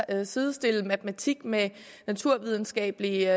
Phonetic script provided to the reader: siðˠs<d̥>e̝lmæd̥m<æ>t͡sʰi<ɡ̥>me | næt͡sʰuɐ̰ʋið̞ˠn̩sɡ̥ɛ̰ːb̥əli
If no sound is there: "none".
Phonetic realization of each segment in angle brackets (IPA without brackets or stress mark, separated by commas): d̥, æ, ɡ̥